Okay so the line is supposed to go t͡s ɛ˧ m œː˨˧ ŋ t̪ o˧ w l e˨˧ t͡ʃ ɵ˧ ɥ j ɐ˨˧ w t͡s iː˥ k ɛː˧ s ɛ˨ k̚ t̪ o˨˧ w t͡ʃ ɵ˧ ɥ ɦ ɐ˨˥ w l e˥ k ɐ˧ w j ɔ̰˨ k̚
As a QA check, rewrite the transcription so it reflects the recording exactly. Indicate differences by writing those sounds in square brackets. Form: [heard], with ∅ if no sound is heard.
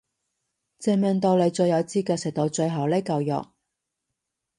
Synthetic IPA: t͡s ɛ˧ m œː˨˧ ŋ t̪ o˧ w l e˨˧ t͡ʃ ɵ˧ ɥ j ɐ˨˧ w t͡s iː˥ k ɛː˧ s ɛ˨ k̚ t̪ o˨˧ w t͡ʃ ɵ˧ ɥ ɦ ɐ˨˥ w l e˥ k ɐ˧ w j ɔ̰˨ k̚

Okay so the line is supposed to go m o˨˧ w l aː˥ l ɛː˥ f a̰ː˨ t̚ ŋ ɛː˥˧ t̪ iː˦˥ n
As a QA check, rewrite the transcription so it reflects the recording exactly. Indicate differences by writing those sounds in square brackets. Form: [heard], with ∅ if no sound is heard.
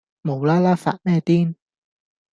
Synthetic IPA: m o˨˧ w l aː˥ l [aː˥] f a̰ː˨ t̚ [m] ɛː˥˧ t̪ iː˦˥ n

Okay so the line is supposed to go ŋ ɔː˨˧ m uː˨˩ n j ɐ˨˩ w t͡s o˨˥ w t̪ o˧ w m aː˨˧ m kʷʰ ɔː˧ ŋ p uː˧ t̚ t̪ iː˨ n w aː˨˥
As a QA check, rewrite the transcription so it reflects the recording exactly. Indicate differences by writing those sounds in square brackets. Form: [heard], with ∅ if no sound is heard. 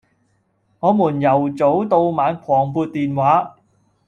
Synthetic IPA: ŋ ɔː˨˧ m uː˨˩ n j ɐ˨˩ w t͡s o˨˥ w t̪ o˧ w m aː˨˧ [n] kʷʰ [ɔː˨˩] ŋ p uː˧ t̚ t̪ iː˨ n w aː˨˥

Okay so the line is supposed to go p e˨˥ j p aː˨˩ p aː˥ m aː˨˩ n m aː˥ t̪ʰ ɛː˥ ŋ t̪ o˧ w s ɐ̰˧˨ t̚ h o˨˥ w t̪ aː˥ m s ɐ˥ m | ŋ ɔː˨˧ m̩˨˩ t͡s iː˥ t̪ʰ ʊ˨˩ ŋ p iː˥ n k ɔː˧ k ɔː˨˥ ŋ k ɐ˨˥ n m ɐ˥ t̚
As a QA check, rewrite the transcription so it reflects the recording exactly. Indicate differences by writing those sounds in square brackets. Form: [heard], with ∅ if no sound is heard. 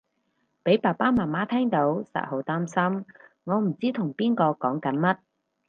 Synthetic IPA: p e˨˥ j p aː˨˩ p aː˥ m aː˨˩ n m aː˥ t̪ʰ ɛː˥ ŋ t̪ [o˨˥] w s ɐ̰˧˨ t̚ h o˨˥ w t̪ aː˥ m s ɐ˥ m | ŋ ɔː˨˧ m̩˨˩ t͡s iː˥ t̪ʰ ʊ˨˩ ŋ p iː˥ n k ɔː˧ k ɔː˨˥ ŋ k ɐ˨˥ n m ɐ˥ t̚

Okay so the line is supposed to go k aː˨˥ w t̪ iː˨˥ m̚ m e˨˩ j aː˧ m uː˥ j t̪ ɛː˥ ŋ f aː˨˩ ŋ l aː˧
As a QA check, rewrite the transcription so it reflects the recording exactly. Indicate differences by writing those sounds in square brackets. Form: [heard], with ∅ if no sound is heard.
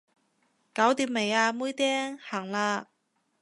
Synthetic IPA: k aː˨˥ w t̪ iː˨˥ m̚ m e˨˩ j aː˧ m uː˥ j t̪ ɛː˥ ŋ [h] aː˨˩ ŋ l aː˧

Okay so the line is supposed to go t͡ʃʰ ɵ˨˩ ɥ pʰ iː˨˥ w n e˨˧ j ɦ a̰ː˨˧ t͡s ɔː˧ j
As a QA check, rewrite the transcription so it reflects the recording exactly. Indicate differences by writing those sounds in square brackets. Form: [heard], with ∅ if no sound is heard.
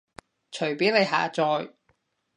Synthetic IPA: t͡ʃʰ ɵ˨˩ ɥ [p] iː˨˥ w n e˨˧ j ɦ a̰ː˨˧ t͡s ɔː˧ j

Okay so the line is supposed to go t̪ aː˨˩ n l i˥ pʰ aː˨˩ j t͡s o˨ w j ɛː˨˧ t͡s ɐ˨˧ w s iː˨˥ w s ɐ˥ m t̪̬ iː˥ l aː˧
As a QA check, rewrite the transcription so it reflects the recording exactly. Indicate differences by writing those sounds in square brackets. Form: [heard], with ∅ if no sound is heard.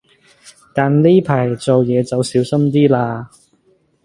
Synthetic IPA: t̪ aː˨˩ n l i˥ pʰ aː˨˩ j t͡s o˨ w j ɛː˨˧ t͡s ɐ˨˧ w s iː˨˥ w s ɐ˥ m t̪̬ iː˥ l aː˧

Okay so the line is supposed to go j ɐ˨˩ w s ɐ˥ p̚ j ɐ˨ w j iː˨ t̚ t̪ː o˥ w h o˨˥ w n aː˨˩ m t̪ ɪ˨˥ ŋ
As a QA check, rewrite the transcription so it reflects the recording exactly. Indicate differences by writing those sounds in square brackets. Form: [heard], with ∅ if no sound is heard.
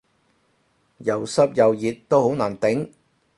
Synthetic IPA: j ɐ˨˩ w s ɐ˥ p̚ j ɐ˨ w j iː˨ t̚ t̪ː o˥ w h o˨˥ w n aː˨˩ [n] t̪ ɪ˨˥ ŋ

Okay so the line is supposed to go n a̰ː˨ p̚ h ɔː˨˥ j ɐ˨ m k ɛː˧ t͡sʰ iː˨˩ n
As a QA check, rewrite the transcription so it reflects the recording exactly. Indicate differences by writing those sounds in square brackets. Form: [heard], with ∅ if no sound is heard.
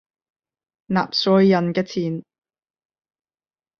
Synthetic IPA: n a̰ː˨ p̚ [s] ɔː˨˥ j ɐ˨ [n] k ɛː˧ t͡sʰ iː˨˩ n

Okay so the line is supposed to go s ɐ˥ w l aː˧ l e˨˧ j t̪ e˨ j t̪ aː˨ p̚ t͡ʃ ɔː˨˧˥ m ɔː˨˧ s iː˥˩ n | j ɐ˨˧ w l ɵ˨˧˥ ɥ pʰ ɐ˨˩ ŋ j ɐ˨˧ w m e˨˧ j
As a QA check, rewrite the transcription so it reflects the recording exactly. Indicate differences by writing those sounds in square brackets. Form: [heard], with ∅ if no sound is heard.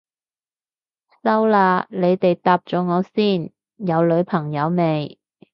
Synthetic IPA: s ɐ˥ w l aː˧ l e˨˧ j t̪ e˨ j t̪ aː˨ p̚ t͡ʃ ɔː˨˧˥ [ŋ] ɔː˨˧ s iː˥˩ n | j ɐ˨˧ w l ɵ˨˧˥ ɥ pʰ ɐ˨˩ ŋ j ɐ˨˧ w m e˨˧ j

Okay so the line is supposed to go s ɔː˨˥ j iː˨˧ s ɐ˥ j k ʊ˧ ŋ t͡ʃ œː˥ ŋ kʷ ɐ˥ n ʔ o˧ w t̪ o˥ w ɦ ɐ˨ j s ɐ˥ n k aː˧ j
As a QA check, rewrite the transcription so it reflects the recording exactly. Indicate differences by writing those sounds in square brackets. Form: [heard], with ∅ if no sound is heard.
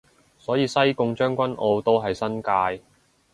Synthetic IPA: s ɔː˨˥ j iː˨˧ s ɐ˥ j k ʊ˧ ŋ t͡ʃ œː˥ ŋ kʷ ɐ˥ n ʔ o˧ w t̪ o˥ w ɦ ɐ˨ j s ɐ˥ n k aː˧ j

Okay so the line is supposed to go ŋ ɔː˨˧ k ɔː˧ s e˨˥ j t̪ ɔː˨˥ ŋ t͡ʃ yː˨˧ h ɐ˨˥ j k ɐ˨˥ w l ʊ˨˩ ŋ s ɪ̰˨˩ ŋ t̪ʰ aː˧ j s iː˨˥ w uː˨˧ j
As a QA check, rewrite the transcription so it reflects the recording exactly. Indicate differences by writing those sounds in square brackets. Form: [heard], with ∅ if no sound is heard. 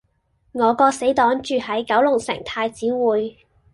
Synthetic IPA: ŋ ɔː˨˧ k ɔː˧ s e˨˥ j t̪ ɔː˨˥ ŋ t͡ʃ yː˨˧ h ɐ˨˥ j k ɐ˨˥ w l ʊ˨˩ ŋ s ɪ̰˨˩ ŋ t̪ʰ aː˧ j [t͡s] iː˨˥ w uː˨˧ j

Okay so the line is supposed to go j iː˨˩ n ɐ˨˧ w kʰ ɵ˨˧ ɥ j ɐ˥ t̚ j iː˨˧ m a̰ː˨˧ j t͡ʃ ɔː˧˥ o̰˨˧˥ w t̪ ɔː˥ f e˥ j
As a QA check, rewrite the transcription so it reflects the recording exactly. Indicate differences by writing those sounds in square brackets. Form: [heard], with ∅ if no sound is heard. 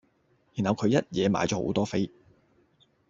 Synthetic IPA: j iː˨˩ n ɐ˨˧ w kʰ ɵ˨˧ ɥ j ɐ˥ t̚ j [ɛː˨˧] m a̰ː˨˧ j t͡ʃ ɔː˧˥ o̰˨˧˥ w t̪ ɔː˥ f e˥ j

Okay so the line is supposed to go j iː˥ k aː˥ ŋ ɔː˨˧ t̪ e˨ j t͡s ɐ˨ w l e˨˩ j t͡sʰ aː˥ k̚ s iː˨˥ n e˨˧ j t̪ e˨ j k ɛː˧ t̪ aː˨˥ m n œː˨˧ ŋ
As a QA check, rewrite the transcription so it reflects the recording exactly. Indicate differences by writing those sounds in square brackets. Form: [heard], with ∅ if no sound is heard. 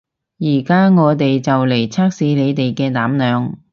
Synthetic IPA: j [iː˨˩] k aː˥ ŋ ɔː˨˧ t̪ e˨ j t͡s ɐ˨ w l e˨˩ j t͡sʰ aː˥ k̚ s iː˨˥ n e˨˧ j t̪ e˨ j k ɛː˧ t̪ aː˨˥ m n œː˨˧ ŋ

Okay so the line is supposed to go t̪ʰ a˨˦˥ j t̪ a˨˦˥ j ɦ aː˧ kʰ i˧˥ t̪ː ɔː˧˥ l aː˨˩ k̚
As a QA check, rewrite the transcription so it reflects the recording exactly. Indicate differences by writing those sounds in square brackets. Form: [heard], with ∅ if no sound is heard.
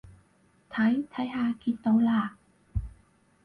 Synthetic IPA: t̪ʰ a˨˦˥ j [t̪ʰ] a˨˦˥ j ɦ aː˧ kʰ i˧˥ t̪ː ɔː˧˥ l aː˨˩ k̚

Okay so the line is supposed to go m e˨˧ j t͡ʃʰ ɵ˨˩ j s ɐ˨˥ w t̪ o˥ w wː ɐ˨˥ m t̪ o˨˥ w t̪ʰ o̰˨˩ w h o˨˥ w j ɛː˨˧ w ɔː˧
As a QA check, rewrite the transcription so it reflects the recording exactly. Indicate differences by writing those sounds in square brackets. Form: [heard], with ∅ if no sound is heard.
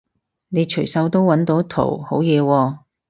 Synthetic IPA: [n] e˨˧ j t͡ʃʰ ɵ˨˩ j s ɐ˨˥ w t̪ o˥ w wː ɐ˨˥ [n] t̪ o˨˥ w t̪ʰ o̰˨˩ w h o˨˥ w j ɛː˨˧ w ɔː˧

